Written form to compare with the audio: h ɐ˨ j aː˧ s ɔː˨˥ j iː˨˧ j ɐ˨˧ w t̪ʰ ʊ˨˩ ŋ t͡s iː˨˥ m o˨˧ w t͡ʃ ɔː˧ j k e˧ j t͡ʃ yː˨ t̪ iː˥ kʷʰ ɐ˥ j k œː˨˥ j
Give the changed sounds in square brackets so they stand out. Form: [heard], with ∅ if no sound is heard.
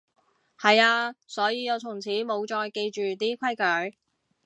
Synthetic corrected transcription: h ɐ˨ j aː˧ s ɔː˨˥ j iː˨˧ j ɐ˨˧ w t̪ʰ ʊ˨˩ ŋ [t͡sʰ] iː˨˥ m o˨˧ w t͡ʃ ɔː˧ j k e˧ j t͡ʃ yː˨ t̪ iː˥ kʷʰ ɐ˥ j k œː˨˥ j